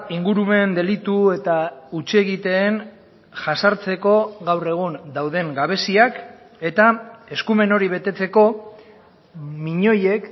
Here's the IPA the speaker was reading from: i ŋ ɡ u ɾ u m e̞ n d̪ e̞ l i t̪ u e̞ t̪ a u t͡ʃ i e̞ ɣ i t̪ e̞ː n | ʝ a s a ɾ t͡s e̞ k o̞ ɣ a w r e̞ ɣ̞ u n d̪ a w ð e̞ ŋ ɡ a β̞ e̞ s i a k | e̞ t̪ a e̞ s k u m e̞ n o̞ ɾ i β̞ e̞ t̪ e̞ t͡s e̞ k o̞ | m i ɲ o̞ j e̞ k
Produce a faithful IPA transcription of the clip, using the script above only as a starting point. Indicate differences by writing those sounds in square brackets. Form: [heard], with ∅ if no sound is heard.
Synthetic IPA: i ŋ ɡ u ɾ u m e̞ n d̪ e̞ l i t̪ u e̞ t̪ a u t͡ʃ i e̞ ɣ i t̪ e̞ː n | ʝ a s a ɾ t͡s e̞ k o̞ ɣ a w r e̞ ɣ̞ u n d̪ a w ð e̞ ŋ ɡ a β̞ e̞ s i a k | e̞ t̪ a e̞ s k u m e̞ n o̞ ɾ i β̞ e̞ t̪ e̞ t͡s e̞ k o̞ | m i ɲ o̞ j e̞ k